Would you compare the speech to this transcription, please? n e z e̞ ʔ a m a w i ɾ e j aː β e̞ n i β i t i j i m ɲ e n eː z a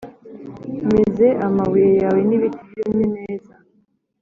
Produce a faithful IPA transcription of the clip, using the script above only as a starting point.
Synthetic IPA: m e z e̞ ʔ a m a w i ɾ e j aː w e̞ n i β i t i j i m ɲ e n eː z a